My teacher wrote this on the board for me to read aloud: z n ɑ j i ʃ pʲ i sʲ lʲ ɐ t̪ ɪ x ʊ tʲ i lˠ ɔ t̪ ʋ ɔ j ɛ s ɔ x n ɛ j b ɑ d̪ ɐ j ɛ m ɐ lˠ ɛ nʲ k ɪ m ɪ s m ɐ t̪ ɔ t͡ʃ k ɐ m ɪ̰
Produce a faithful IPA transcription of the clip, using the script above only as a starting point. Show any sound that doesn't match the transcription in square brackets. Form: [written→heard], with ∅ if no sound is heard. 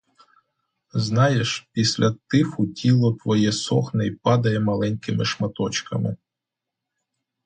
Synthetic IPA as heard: z n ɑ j [i→e] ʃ pʲ i sʲ lʲ ɐ t̪ ɪ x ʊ tʲ i lˠ ɔ t̪ ʋ ɔ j ɛ s ɔ x n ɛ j [b→p] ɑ d̪ ɐ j ɛ m ɐ lˠ ɛ nʲ k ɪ m ɪ [s→ʃ] m ɐ t̪ ɔ t͡ʃ k ɐ m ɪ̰

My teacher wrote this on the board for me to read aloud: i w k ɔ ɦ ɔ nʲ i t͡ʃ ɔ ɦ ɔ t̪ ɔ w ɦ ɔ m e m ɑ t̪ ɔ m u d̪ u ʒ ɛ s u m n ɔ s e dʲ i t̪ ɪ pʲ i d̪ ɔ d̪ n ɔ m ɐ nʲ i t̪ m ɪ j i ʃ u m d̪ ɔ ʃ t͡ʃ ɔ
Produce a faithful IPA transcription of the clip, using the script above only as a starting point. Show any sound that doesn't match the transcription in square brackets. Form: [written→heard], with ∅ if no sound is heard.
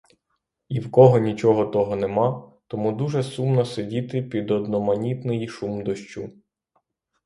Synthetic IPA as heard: i w k ɔ ɦ ɔ nʲ i t͡ʃ ɔ ɦ ɔ t̪ ɔ [w→∅] ɦ ɔ [m→n] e m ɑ t̪ ɔ m u d̪ u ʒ ɛ s u m n ɔ s e dʲ i t̪ ɪ pʲ i d̪ ɔ d̪ n ɔ m ɐ nʲ i t̪ [m→n] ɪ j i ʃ u m d̪ ɔ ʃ t͡ʃ [ɔ→u]

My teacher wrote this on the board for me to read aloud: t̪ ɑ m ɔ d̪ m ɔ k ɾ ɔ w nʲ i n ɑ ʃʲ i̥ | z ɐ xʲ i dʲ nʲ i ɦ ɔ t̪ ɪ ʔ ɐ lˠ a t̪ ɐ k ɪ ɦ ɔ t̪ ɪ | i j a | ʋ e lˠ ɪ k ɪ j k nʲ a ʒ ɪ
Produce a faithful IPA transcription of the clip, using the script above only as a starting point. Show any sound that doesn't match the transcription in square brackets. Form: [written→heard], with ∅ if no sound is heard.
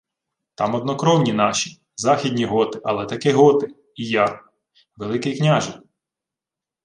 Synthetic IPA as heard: t̪ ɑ m ɔ d̪ [m→n] ɔ k ɾ ɔ w nʲ i n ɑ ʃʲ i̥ | z [ɐ→ɑ] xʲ i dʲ nʲ i ɦ ɔ t̪ ɪ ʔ ɐ lˠ [a→ɛ] t̪ ɐ k ɪ ɦ ɔ t̪ ɪ | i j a | ʋ e lˠ ɪ k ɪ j k nʲ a ʒ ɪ

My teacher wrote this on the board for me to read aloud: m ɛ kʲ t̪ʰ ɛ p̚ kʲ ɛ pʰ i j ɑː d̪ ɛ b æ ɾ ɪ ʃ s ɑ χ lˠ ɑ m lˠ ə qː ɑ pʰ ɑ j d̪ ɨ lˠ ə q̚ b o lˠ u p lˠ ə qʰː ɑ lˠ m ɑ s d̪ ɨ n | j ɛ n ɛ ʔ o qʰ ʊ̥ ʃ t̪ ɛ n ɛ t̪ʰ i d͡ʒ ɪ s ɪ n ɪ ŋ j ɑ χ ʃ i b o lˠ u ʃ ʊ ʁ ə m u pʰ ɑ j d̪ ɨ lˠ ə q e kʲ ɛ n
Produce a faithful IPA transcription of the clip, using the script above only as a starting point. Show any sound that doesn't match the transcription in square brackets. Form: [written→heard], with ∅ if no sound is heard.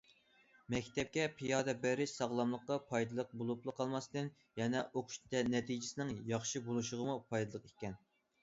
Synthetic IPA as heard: m ɛ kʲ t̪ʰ ɛ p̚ kʲ ɛ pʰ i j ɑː d̪ ɛ b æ ɾ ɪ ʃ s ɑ [χ→ʁ] lˠ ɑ m lˠ ə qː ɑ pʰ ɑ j d̪ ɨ lˠ ə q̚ b o lˠ u p lˠ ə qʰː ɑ lˠ m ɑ s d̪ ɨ n | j ɛ n ɛ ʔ o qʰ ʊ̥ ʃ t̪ ɛ n ɛ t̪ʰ i d͡ʒ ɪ s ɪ n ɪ ŋ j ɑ χ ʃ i b o lˠ u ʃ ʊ ʁ ə m u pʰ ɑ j d̪ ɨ lˠ ə q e kʲ ɛ n

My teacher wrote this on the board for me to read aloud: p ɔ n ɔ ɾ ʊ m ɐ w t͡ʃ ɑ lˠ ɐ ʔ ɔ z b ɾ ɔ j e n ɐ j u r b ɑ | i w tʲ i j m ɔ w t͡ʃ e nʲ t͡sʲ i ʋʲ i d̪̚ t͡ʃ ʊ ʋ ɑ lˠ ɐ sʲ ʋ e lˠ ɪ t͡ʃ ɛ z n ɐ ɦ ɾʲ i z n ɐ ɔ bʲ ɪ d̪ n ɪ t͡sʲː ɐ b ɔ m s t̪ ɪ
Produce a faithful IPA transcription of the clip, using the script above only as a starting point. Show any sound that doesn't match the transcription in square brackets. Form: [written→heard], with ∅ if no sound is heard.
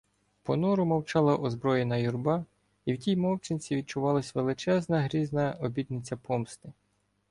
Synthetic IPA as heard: p ɔ n ɔ ɾ ʊ m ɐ w t͡ʃ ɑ lˠ ɐ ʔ ɔ z b ɾ ɔ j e n ɐ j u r b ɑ | i w tʲ i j m ɔ w t͡ʃ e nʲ t͡sʲ i ʋʲ i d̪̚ t͡ʃ ʊ ʋ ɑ lˠ ɐ sʲ ʋ e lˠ ɪ t͡ʃ ɛ z n ɐ ɦ ɾʲ i z n ɐ ɔ bʲ [ɪ→i] d̪ n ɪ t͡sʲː ɐ [b→p] ɔ m s t̪ ɪ

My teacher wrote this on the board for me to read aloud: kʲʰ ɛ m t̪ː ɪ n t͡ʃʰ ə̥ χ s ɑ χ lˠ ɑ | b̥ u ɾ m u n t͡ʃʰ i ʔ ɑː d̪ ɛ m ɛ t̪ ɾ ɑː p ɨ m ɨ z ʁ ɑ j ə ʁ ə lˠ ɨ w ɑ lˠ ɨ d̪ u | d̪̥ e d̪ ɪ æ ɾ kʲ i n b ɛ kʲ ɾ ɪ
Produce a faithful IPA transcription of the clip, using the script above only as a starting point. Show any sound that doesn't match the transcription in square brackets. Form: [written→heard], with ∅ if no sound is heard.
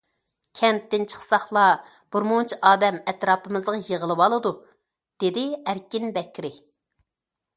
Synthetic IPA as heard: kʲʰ ɛ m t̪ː ɪ n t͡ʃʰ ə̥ χ s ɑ χ lˠ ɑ | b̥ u ɾ m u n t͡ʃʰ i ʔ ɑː d̪ ɛ m ɛ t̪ ɾ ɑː p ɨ m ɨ z ʁ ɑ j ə ʁ ə lˠ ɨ w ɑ lˠ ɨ d̪ u | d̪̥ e d̪ ɪ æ ɾ kʲ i n b ɛ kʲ ɾ ɪ

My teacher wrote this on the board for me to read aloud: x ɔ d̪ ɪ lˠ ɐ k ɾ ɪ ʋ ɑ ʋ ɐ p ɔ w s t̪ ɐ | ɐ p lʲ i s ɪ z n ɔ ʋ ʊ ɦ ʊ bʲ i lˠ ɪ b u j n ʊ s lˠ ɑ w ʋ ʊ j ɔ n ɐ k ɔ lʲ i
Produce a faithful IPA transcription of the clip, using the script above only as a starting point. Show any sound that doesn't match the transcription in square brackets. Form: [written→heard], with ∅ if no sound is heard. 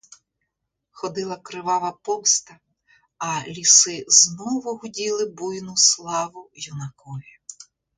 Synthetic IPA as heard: x ɔ d̪ ɪ lˠ ɐ k ɾ ɪ ʋ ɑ ʋ ɐ p ɔ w s t̪ ɐ | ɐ [p→∅] lʲ i s ɪ z n ɔ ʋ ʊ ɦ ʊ [bʲ→dʲ] i lˠ ɪ b u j n ʊ s lˠ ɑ [w→∅] ʋ ʊ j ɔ n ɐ k ɔ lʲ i

